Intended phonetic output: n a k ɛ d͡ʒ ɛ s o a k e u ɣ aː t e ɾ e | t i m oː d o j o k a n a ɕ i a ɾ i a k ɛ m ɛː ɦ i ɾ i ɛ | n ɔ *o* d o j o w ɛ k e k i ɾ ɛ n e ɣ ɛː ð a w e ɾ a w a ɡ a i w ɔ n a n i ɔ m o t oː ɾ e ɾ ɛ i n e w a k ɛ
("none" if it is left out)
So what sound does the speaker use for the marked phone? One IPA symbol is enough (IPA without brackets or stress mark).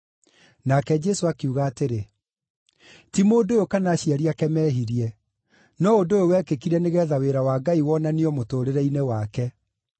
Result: o